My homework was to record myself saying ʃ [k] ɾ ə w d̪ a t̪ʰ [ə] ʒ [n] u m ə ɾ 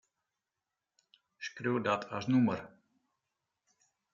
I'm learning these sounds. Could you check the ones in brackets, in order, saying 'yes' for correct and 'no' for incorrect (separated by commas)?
yes, no, yes